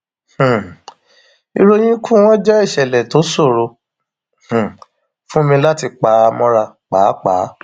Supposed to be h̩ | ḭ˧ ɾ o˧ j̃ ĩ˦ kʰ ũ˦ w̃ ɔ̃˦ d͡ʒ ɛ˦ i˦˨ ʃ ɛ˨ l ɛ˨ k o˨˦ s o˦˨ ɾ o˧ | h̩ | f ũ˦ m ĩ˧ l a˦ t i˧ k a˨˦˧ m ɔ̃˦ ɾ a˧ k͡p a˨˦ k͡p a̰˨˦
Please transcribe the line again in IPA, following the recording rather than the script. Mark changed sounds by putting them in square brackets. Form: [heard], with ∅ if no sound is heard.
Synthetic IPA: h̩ | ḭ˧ ɾ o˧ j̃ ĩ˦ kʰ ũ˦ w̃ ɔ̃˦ d͡ʒ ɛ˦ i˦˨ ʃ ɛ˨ l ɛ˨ [t] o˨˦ s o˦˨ ɾ o˧ | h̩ | f ũ˦ m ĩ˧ l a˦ t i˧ [k͡p] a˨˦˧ m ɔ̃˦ ɾ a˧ k͡p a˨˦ k͡p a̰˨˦